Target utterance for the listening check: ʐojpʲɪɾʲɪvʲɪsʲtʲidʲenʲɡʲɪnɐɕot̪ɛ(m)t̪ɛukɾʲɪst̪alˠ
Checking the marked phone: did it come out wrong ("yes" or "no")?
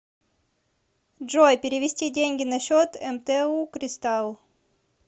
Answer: no